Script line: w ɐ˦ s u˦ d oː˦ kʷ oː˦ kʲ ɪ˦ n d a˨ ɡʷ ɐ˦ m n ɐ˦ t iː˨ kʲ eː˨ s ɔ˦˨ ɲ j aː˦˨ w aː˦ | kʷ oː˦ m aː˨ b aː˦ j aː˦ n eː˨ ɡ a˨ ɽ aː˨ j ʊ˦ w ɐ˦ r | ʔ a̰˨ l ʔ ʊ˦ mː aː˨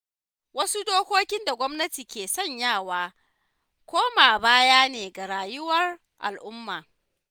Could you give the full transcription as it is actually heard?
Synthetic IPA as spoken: w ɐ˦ s u˦ d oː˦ kʷ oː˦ kʲ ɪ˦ n d a˨ ɡʷ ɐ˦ m n ɐ˦ t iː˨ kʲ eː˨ s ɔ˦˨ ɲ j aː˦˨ w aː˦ | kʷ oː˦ m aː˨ b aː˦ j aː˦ n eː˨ ɡ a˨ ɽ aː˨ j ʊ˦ w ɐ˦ r | ʔ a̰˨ l ʔ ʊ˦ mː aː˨

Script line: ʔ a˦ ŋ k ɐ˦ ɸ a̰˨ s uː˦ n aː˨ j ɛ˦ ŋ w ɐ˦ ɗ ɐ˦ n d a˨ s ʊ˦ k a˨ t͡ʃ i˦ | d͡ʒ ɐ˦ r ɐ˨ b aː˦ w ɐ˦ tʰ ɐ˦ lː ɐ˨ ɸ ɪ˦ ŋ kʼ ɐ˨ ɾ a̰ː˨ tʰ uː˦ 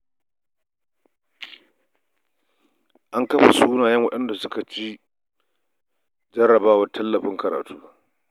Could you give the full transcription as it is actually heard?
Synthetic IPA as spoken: ʔ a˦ ŋ k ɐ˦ ɸ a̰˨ s uː˦ n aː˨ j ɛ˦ ŋ w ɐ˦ ɗ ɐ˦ n d a˨ s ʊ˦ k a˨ t͡ʃ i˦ | d͡ʒ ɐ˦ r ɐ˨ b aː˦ w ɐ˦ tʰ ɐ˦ lː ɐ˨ ɸ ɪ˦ ŋ k ɐ˨ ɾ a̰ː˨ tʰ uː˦

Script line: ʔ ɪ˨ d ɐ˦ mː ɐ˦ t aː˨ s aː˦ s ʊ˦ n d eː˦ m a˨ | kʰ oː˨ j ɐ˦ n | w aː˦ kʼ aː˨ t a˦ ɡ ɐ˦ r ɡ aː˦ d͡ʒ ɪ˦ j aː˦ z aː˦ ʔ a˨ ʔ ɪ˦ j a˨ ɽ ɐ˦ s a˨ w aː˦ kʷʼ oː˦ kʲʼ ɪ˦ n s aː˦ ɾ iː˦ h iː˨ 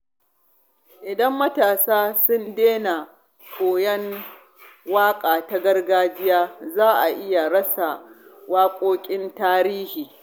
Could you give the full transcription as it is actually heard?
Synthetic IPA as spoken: ʔ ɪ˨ d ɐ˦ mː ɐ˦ t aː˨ s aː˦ s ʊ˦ n d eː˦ n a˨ | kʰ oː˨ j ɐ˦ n | w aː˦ kʼ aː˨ t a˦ ɡ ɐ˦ r ɡ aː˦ d͡ʒ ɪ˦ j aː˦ z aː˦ ʔ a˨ ʔ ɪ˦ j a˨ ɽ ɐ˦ s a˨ w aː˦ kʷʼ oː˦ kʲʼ ɪ˦ n t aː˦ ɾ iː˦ h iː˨

